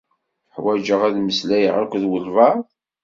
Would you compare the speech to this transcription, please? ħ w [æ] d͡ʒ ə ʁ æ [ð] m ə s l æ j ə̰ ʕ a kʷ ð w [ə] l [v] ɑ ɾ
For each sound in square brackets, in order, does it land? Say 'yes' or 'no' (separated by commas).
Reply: yes, yes, yes, yes